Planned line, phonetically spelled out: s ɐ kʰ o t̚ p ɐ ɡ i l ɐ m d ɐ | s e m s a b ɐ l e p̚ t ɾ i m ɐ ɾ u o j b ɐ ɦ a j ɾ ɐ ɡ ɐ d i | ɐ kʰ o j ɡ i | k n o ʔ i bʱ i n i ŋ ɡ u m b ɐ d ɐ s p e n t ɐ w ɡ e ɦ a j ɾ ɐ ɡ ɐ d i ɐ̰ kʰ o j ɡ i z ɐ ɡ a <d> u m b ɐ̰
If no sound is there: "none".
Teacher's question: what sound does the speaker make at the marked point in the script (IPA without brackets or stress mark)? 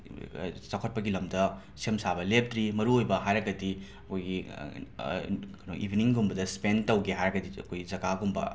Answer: ɡ